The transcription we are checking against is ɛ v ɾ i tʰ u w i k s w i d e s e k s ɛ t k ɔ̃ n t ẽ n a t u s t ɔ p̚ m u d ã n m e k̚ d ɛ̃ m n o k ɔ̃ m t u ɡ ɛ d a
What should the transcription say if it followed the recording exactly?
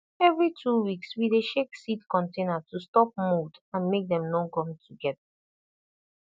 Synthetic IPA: ɛ v ɹ i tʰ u w i k s w i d e ʃ e k s i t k ɔ̃ n t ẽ n a t u s t ɔ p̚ m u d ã n m e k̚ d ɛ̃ m n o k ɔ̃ m t u ɡ ɛ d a